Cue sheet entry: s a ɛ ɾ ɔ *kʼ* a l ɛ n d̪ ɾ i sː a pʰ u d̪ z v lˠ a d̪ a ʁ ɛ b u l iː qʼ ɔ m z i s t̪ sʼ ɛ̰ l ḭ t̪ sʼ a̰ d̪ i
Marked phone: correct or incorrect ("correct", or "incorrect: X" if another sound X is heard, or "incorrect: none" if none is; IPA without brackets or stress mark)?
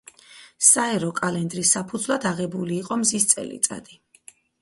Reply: correct